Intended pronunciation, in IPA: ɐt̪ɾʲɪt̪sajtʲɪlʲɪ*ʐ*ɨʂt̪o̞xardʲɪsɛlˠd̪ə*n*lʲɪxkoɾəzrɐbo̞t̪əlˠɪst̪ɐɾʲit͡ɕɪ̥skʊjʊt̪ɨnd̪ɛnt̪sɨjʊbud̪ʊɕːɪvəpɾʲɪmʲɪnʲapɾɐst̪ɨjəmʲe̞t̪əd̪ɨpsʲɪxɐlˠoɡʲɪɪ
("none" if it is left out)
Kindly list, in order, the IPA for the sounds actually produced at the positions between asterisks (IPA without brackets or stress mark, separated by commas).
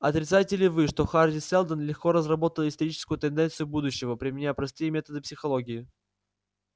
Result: v, n